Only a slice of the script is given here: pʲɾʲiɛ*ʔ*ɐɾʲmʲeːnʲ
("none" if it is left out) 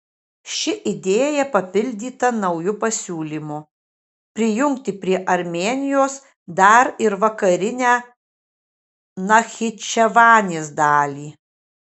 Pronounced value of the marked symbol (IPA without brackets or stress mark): ʔ